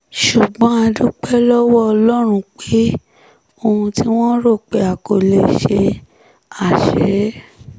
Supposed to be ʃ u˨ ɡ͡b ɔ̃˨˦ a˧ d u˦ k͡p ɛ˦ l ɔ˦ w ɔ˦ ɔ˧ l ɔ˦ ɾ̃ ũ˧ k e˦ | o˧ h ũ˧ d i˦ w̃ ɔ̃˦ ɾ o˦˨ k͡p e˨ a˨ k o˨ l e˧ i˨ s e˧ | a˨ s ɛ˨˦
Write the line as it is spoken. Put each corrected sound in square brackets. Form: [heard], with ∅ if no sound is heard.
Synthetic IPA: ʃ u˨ ɡ͡b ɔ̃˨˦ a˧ d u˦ k͡p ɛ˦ l ɔ˦ w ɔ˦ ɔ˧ l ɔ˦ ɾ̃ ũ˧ [k͡p] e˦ | o˧ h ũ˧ [t] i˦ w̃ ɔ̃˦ ɾ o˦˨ k͡p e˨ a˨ k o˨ l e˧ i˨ [ʃ] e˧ | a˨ [ʃ] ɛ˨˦